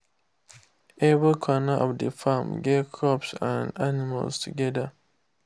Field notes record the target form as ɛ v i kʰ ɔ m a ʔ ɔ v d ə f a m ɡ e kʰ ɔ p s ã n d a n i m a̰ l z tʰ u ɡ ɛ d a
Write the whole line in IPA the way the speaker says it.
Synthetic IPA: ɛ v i kʰ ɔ n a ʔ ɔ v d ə f a m ɡ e kʰ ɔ p s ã n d a n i m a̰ l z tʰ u ɡ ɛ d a